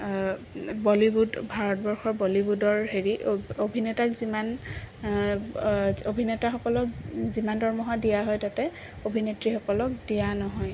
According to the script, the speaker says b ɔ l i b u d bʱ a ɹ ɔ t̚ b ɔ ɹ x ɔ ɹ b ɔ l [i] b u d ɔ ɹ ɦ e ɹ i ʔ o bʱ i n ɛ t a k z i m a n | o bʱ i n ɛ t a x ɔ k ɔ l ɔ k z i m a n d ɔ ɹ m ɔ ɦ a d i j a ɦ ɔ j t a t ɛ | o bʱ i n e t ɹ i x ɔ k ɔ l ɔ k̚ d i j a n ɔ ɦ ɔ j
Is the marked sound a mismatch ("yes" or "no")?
no